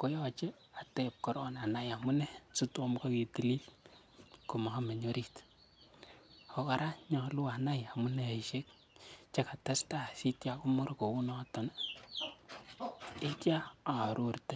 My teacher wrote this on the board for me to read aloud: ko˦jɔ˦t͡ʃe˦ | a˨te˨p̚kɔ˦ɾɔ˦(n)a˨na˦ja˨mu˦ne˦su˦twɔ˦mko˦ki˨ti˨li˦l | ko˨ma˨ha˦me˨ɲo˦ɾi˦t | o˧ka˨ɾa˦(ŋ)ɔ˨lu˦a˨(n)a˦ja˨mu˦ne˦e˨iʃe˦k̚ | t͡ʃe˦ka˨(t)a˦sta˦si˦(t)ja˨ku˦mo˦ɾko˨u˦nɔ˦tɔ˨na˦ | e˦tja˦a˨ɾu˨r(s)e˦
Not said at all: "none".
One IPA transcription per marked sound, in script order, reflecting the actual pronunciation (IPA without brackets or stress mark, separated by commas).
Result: n, ɲ, n, t, t, t